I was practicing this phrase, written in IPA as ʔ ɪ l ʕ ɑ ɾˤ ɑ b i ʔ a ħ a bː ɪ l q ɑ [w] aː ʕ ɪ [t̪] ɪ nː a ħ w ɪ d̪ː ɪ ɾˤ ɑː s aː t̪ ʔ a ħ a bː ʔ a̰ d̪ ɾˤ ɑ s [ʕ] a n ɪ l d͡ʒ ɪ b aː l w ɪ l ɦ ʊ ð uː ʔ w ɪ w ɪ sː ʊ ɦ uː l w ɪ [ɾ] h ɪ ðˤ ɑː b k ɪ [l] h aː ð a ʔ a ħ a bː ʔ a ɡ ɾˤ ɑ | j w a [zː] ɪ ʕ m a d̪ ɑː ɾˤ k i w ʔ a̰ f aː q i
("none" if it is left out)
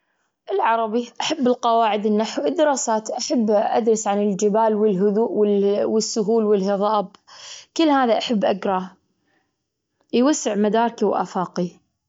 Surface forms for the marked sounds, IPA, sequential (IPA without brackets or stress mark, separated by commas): w, d̪, ʕ, l, lː, sː